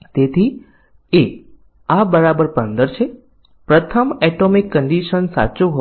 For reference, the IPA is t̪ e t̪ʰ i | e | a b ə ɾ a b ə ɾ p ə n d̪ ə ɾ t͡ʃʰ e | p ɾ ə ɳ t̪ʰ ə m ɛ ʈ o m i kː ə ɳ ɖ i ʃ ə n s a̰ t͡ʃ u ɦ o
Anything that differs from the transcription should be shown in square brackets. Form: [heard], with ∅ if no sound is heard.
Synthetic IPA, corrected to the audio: t̪ e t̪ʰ i | e | a b ə ɾ a b ə ɾ p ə n d̪ ə ɾ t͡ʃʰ e | p ɾ ə [∅] t̪ʰ ə m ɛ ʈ o m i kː ə ɳ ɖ i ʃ ə n s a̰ t͡ʃ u ɦ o